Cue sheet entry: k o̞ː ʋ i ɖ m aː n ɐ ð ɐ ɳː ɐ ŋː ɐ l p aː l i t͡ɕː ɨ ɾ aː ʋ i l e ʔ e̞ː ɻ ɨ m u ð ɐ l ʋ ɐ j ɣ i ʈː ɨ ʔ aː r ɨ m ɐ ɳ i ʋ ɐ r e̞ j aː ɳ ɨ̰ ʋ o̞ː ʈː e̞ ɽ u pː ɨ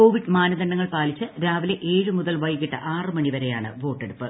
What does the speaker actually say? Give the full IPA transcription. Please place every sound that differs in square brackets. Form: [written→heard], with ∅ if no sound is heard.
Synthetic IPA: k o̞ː ʋ i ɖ m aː n ɐ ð ɐ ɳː ɐ ŋː ɐ [l→ɭ] p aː l i t͡ɕː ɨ ɾ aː ʋ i l e ʔ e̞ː ɻ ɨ m u ð ɐ l ʋ ɐ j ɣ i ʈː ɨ ʔ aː r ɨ m ɐ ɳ i ʋ ɐ [r→ɾ] e̞ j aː ɳ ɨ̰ ʋ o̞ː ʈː e̞ ɽ u pː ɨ

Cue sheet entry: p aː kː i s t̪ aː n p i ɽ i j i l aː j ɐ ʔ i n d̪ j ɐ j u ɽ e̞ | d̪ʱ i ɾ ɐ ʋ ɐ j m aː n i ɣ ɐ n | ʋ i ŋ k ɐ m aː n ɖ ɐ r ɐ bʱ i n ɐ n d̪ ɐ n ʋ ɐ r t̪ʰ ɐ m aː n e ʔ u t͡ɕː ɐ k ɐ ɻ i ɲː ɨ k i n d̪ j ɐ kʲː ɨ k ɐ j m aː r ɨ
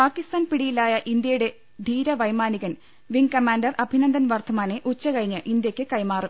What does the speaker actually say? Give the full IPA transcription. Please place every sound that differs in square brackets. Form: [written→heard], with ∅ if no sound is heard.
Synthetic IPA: p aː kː i s t̪ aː n p i ɽ i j i l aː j ɐ ʔ i n d̪ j ɐ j u ɽ e̞ | d̪ʱ [i→iː] ɾ ɐ ʋ ɐ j m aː n i ɣ ɐ n | ʋ i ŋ k ɐ m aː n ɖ ɐ r ɐ bʱ i n ɐ n d̪ ɐ n ʋ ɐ r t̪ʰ ɐ m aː n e ʔ u t͡ɕː ɐ k ɐ ɻ i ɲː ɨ [k→ʔ] i n d̪ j ɐ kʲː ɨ k ɐ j m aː r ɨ

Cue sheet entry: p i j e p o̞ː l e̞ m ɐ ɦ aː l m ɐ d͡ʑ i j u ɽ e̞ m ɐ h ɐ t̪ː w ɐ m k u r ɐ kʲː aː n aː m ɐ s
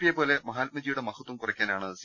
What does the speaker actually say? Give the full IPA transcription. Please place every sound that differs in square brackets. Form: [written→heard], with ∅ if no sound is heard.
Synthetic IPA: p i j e p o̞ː l e̞ m ɐ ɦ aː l m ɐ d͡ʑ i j u ɽ e̞ m ɐ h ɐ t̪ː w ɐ m k u r ɐ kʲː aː n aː [m→ɳ] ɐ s

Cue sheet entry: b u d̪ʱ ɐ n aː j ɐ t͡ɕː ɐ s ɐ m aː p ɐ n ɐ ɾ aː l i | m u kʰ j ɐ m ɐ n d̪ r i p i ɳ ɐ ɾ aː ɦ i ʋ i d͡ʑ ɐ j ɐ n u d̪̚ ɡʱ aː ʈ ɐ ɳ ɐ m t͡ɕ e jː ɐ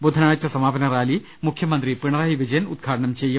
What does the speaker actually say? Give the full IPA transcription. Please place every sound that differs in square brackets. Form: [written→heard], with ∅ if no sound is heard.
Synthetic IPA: b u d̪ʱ ɐ n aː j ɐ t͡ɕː ɐ s ɐ m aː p ɐ n ɐ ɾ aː l i | m u kʰ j ɐ m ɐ n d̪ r i p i ɳ ɐ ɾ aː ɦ i ʋ i d͡ʑ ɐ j ɐ n u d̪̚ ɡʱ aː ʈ ɐ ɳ ɐ m t͡ɕ e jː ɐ

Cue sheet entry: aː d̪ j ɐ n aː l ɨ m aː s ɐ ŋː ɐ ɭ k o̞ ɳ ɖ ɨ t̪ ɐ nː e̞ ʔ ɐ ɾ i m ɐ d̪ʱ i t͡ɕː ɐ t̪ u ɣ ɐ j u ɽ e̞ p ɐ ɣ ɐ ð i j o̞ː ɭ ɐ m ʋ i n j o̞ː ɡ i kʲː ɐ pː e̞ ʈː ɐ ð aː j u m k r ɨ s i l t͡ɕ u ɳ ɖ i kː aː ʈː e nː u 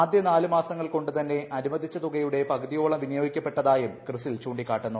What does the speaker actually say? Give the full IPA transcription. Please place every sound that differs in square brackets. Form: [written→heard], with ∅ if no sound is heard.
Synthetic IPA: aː d̪ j ɐ n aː l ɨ m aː s ɐ ŋː ɐ ɭ k o̞ ɳ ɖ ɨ t̪ ɐ nː e̞ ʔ ɐ ɾ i m ɐ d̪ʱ i t͡ɕː ɐ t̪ u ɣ ɐ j u ɽ e̞ p ɐ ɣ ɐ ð i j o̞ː ɭ ɐ m ʋ i n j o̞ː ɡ i kʲː ɐ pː e̞ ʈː ɐ ð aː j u m k r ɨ s i l t͡ɕ [u→uː] ɳ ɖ i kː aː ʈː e nː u

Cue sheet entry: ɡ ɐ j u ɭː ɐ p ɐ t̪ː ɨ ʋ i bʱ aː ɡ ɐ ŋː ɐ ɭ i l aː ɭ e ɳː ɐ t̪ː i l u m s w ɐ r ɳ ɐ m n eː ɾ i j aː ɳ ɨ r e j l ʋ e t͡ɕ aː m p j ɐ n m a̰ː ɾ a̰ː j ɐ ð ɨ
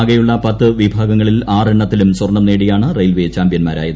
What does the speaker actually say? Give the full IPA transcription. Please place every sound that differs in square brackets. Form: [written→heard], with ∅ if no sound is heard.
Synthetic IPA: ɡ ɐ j u ɭː ɐ p ɐ t̪ː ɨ ʋ i bʱ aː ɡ ɐ ŋː ɐ ɭ i l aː [ɭ→r] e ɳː ɐ t̪ː i l u m s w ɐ r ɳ ɐ m n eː [ɾ→ɽ] i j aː ɳ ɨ r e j l ʋ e t͡ɕ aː m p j ɐ n m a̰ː ɾ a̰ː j ɐ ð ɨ

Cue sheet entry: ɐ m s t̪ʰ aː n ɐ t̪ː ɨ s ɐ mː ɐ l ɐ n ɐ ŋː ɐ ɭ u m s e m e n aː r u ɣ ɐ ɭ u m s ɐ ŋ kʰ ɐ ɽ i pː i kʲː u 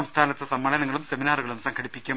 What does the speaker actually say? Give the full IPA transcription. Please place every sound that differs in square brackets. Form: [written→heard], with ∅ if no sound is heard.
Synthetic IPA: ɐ m s t̪ʰ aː n ɐ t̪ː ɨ s ɐ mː ɐ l ɐ n ɐ ŋː ɐ ɭ u m s e m [e→i] n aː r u ɣ ɐ ɭ u m s ɐ ŋ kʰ ɐ ɽ i pː i kʲː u

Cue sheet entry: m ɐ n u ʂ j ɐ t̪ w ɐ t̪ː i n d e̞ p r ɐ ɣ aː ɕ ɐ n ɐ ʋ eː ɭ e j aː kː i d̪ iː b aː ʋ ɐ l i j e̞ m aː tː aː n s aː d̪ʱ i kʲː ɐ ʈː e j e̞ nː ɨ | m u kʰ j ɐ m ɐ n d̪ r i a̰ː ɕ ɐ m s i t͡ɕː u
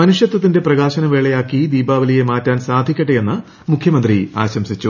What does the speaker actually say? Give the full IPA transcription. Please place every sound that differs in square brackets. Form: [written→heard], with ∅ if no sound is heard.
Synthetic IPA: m ɐ n u ʂ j ɐ t̪ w ɐ t̪ː i n d e̞ p r ɐ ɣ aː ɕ ɐ n ɐ ʋ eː ɭ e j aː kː i d̪ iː b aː ʋ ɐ l i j e̞ m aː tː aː n s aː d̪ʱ i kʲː ɐ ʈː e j e̞ nː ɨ | m u kʰ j ɐ m ɐ n d̪ r i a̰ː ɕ ɐ m s i t͡ɕː u

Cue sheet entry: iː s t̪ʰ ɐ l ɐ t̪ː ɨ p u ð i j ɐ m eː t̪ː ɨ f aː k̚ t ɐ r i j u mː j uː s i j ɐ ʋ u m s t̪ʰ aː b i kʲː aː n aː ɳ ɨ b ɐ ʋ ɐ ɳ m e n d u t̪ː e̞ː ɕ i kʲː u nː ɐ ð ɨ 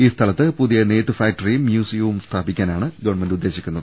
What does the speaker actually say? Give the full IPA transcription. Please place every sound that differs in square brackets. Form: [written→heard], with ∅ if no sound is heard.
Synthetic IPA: iː s t̪ʰ ɐ l ɐ t̪ː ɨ p u ð i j ɐ [m→n] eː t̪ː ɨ f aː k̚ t ɐ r i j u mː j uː s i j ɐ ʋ u m s t̪ʰ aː b i kʲː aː n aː ɳ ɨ [b→ɡ] ɐ ʋ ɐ ɳ m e n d u [t̪ː→d̪ː] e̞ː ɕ i kʲː u nː ɐ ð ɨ

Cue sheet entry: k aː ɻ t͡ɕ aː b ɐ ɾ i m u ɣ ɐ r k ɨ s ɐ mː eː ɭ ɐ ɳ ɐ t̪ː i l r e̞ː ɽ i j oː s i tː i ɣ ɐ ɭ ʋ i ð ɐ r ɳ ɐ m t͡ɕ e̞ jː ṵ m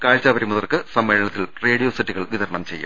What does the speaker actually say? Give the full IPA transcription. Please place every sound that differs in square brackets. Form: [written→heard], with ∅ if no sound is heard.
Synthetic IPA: k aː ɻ t͡ɕ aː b ɐ ɾ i m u [ɣ→ð] ɐ r k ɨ s ɐ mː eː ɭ ɐ ɳ ɐ t̪ː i l r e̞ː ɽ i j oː s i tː i ɣ ɐ ɭ ʋ i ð ɐ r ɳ ɐ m t͡ɕ e̞ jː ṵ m

